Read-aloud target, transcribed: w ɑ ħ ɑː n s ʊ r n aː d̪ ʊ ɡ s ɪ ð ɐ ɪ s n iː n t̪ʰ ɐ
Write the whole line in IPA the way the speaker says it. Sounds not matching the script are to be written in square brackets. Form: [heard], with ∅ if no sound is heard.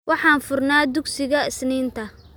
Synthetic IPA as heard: w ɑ ħ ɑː n [f] ʊ r n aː d̪ ʊ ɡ s ɪ [ɣ] ɐ ɪ s n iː n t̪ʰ ɐ